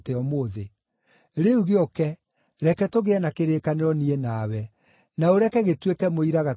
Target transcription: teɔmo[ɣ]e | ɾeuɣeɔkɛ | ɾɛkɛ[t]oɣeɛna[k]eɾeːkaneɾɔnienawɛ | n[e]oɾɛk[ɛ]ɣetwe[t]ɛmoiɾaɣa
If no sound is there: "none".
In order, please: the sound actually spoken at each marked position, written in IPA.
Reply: ð, t, k, a, ɛ, k

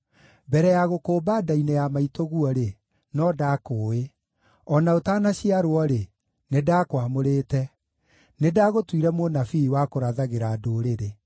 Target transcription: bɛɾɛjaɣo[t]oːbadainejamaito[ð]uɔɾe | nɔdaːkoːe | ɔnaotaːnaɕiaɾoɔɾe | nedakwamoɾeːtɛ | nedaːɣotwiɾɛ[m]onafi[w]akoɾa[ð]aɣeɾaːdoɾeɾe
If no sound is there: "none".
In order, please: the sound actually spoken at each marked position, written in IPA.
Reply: k, ɣ, m, w, ð

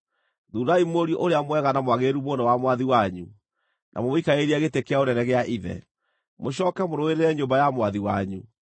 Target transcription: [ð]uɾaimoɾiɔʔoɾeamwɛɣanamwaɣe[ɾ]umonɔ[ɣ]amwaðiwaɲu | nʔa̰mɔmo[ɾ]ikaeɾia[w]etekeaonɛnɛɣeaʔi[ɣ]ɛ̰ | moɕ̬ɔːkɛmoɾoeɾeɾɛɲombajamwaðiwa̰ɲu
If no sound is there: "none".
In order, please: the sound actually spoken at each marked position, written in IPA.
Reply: ð, ɾ, w, none, ɣ, ð

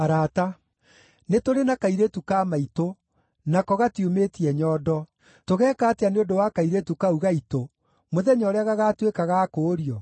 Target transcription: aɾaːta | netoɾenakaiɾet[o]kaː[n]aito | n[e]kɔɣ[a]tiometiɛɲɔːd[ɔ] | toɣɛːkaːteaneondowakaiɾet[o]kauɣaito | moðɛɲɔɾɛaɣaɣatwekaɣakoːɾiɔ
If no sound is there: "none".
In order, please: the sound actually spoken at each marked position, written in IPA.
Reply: u, m, a, a, ɔ, u

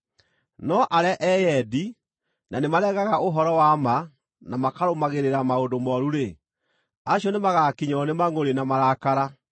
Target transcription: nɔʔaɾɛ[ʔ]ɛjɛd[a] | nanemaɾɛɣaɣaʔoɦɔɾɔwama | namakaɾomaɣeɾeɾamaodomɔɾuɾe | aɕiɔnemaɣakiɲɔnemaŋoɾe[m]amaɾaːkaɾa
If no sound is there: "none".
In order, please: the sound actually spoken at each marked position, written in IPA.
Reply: ʔ, i, n

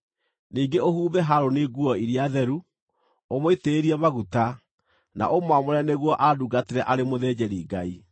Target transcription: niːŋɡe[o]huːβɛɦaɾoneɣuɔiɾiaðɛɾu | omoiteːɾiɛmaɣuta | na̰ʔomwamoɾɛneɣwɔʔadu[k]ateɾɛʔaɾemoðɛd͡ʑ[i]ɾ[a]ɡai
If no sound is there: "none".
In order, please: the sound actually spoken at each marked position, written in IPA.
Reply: o, ɡ, ɛ, i

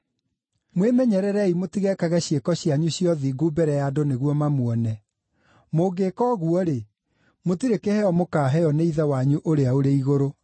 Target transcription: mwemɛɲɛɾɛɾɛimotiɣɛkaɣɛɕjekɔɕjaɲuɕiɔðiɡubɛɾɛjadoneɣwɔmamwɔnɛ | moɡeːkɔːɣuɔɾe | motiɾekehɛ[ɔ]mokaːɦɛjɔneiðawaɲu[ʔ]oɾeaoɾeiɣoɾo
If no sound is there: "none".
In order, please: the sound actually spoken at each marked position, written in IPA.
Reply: ɔ, ʔ

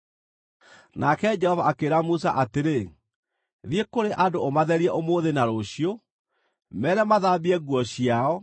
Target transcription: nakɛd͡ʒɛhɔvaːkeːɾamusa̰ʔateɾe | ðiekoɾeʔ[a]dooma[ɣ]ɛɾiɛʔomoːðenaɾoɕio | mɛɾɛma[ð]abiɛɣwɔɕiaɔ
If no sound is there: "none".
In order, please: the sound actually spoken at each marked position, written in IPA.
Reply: a, ð, ð

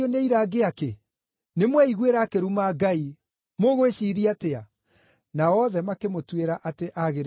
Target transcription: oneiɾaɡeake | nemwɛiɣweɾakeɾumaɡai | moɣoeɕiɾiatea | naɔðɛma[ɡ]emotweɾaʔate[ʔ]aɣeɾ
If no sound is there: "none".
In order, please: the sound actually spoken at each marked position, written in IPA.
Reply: k, ʔ

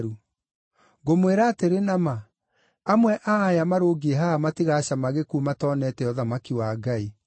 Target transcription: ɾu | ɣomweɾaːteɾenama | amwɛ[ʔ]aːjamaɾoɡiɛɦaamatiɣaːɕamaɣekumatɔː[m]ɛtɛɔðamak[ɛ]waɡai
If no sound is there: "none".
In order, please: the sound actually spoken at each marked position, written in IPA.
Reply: ʔ, n, i

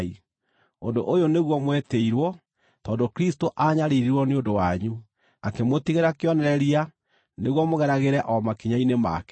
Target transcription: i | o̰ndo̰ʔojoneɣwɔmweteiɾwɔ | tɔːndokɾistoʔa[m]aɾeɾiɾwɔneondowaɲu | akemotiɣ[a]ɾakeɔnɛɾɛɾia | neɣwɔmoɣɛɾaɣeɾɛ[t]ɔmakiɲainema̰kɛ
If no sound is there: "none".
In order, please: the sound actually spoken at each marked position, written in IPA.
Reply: ɲ, e, ʔ

